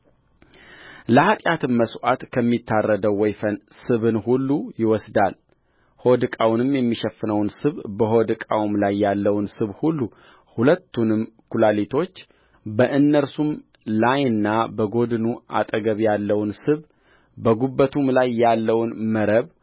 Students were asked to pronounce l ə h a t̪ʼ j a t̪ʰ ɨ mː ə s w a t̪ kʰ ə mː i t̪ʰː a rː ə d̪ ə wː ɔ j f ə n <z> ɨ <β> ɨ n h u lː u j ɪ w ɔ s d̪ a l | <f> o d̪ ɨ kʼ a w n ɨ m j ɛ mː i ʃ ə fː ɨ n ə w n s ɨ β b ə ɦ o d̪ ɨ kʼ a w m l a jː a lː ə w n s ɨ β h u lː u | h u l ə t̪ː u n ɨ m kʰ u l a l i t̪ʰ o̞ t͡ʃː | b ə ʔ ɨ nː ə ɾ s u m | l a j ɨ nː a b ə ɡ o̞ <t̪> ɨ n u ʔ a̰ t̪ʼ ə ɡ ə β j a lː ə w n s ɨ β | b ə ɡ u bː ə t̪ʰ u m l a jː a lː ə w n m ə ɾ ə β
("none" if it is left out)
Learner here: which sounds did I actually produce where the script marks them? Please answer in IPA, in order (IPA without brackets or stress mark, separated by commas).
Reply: s, β, h, d̪